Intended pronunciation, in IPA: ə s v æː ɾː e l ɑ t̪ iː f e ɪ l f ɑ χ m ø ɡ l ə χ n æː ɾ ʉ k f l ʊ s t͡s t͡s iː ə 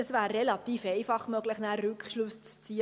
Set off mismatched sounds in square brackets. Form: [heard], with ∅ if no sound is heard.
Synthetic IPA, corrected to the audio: ə s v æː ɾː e l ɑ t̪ iː f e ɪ [∅] f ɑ χ m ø ɡ l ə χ n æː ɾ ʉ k [ʃ] l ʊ s t͡s t͡s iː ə